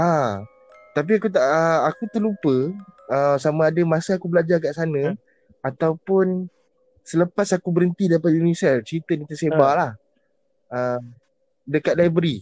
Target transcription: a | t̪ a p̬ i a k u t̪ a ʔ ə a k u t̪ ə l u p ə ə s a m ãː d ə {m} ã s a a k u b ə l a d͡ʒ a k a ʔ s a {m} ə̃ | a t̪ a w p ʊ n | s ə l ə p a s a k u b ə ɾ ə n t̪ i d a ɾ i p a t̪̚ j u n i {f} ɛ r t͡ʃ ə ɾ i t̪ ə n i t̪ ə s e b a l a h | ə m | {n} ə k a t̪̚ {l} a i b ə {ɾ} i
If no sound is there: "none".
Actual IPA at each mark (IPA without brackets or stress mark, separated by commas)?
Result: m, n, s, d, l, ɾ